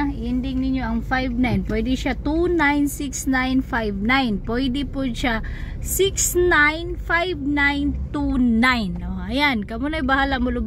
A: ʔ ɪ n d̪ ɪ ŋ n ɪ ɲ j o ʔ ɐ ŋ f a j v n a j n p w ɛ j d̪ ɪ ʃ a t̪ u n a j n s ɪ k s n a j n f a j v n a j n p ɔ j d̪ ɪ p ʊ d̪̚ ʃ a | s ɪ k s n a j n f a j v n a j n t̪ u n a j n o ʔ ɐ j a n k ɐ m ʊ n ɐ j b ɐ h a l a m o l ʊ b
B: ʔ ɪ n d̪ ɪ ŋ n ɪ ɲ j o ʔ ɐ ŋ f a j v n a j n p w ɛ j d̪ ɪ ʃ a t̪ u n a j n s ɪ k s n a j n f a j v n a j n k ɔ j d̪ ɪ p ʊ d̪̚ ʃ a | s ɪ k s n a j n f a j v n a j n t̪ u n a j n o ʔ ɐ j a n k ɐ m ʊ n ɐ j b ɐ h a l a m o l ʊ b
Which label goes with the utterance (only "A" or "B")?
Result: A